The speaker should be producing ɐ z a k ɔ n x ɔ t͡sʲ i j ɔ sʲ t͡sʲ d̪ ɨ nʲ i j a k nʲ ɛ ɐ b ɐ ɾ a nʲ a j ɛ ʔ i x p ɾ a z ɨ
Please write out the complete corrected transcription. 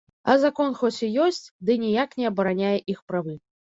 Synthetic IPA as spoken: ɐ z a k ɔ n x ɔ t͡sʲ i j ɔ sʲ t͡sʲ d̪ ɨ nʲ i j a k nʲ ɛ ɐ b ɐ ɾ a nʲ a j ɛ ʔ i x p ɾ a v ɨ